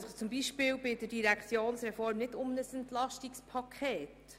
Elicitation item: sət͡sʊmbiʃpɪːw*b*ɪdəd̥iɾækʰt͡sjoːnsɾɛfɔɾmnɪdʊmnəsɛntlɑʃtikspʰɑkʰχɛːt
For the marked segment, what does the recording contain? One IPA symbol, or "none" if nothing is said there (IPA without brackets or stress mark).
b